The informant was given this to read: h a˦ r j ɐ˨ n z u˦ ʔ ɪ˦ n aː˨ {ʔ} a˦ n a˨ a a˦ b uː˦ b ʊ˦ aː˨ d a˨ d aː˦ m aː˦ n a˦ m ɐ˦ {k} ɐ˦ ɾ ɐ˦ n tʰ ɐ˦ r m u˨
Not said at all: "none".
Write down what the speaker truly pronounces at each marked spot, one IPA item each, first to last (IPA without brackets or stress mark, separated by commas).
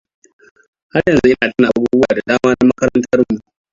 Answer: t, k